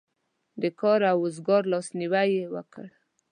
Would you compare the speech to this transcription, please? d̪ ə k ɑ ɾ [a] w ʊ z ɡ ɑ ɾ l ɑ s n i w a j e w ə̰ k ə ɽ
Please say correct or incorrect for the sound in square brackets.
correct